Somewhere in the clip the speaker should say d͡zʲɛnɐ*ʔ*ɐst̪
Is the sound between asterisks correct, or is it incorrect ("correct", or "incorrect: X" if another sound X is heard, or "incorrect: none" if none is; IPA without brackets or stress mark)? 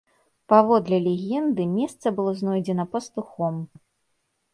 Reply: incorrect: p